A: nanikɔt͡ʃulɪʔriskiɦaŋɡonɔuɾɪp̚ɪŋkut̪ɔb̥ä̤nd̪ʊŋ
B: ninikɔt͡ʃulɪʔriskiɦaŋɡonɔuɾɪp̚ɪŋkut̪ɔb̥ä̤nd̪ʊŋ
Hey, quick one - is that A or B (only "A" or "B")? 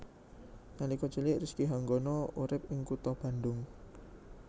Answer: A